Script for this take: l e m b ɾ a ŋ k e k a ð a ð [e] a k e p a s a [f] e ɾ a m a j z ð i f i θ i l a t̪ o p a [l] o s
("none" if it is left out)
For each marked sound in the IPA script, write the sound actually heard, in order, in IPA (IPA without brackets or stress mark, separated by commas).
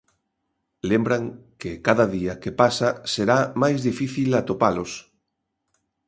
i, s, l